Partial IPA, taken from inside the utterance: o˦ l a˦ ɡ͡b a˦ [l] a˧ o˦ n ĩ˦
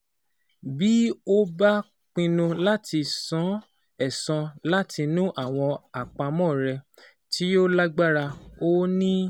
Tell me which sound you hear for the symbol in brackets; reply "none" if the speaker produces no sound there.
ɾ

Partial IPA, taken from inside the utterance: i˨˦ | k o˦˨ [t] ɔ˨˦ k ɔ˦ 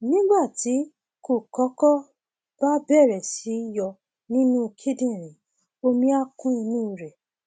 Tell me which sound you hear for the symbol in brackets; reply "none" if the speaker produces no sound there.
k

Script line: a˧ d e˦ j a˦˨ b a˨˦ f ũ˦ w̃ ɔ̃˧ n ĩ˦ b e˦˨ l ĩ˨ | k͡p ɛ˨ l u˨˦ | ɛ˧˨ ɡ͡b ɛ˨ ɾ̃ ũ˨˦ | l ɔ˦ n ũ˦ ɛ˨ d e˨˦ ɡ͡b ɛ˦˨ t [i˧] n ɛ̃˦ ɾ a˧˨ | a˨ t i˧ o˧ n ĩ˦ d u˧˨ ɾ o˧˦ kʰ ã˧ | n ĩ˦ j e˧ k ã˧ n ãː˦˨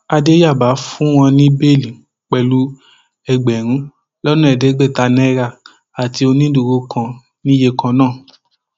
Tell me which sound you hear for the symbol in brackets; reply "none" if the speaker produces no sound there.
a˧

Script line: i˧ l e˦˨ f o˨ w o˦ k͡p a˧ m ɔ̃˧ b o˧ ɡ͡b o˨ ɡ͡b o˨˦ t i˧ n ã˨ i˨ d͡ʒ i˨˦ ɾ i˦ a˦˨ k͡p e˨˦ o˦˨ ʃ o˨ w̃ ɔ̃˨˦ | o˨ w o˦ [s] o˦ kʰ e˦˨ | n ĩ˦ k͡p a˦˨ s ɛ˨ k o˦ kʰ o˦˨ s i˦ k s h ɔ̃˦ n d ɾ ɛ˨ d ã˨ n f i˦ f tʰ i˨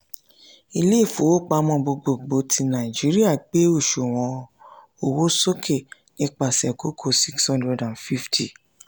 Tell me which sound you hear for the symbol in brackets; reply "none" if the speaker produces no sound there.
s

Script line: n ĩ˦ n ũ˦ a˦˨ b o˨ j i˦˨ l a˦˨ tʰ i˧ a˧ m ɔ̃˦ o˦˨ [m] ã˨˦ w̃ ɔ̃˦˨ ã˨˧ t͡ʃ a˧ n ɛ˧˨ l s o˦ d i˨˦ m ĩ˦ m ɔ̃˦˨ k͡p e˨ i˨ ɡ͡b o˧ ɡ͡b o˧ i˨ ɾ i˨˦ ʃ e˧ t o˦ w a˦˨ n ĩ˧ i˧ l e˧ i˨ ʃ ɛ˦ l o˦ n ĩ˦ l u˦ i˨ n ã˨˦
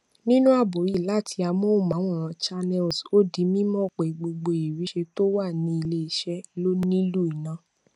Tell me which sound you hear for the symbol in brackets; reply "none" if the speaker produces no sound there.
m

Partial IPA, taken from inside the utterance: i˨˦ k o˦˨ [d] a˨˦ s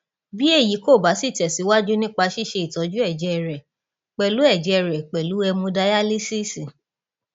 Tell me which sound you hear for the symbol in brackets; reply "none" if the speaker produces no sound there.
b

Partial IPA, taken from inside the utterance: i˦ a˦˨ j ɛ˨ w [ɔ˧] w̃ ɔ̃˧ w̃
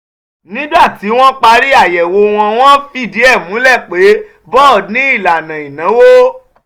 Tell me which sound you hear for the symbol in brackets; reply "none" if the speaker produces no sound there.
o˧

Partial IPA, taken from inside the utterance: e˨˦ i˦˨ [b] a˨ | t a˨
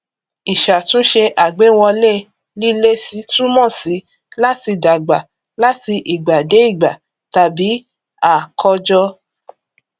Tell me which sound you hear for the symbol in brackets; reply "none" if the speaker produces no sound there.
ɡ͡b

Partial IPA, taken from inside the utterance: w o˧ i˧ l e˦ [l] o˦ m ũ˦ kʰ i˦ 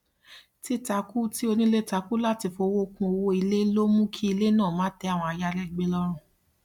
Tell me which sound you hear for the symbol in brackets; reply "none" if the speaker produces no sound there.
l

